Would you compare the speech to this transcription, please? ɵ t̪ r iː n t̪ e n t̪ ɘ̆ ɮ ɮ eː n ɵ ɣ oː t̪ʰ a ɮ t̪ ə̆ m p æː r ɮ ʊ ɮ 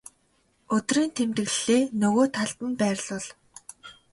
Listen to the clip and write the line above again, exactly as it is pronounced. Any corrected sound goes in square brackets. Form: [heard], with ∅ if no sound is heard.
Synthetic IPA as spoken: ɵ t̪ r iː n [t̪ʰ] e [m] t̪ ɘ̆ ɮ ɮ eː n ɵ ɣ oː t̪ʰ a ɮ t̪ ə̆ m p æː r ɮ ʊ ɮ